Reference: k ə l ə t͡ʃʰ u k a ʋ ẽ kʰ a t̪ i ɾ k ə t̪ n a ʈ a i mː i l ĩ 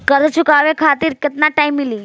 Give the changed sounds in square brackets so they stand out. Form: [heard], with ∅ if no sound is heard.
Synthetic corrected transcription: k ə [ɾ] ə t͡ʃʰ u k a ʋ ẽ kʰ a t̪ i ɾ k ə t̪ n a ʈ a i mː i l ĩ